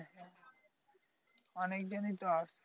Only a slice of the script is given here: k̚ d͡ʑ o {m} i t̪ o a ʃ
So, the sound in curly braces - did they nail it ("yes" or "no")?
no